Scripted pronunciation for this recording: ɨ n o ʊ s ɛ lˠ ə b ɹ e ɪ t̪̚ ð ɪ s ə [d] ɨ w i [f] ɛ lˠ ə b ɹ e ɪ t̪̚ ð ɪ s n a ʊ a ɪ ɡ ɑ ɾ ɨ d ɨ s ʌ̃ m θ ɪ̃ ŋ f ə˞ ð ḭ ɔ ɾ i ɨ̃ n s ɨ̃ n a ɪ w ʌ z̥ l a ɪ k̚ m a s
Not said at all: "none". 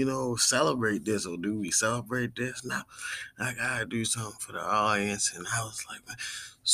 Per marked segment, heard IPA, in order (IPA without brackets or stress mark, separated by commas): d, s